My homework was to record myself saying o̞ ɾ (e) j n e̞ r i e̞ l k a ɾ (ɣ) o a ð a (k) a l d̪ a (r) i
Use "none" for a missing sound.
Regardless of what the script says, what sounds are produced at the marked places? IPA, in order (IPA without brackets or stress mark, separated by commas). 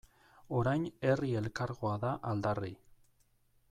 a, ɣ, ʔ, r